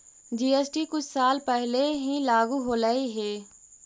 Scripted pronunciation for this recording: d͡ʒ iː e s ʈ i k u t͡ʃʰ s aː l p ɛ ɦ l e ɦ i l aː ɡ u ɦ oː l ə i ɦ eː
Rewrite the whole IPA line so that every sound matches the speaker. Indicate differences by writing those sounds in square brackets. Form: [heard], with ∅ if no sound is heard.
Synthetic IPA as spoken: d͡ʒ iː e s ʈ i k [ʊ] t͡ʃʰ s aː l p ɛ ɦ l e ɦ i l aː ɡ u ɦ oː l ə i ɦ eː